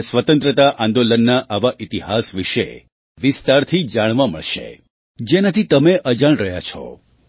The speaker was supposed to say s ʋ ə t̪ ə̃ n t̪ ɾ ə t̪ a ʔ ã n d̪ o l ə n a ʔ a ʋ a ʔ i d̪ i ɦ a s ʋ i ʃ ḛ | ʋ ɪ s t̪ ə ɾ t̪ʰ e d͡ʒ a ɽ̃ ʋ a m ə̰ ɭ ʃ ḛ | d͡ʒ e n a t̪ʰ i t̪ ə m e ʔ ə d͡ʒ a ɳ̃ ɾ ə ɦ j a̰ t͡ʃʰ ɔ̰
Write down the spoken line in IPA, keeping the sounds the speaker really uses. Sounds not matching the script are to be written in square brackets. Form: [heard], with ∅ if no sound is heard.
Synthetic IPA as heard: s ʋ ə t̪ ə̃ n t̪ ɾ ə t̪ a ʔ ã n d̪ o l ə [nː] a ʔ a ʋ a ʔ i [t̪] i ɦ a s ʋ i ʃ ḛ | ʋ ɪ s t̪ [a] ɾ t̪ʰ [i] d͡ʒ a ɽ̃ ʋ a m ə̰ ɭ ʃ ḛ | d͡ʒ e n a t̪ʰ i t̪ ə m e ʔ ə d͡ʒ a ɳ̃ ɾ ə ɦ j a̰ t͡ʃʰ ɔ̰